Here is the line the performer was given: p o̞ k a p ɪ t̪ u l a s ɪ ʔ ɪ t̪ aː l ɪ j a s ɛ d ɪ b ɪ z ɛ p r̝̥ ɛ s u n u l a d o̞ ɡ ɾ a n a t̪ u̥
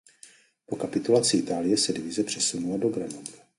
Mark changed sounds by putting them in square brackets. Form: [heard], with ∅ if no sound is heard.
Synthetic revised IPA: p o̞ k a p ɪ t̪ u l a [t͡s] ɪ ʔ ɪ t̪ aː l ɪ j [ɛ] s ɛ d ɪ [v] ɪ z ɛ p r̝̥ ɛ s u n u l a d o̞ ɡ ɾ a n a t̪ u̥